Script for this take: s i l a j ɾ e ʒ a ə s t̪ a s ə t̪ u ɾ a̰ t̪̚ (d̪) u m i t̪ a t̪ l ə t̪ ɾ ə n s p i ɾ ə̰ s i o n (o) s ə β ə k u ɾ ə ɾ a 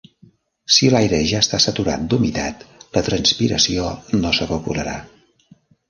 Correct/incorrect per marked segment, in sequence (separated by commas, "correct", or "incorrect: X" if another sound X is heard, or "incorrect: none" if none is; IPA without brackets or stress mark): correct, correct